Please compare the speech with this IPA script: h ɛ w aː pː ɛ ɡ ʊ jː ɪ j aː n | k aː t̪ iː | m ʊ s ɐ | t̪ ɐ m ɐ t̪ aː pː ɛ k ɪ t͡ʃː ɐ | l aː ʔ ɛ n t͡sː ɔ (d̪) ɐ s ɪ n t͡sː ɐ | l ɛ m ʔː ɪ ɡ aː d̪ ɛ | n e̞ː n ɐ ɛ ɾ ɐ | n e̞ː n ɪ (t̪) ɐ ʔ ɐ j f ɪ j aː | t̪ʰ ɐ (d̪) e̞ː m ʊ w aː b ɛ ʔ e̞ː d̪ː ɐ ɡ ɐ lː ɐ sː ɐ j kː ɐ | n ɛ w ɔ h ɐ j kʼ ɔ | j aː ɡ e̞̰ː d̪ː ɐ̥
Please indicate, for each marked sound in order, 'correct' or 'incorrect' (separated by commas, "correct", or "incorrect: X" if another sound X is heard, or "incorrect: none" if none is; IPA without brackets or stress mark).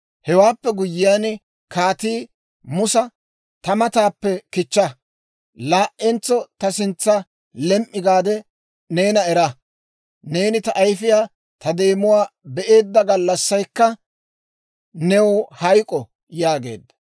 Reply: incorrect: t̪, correct, correct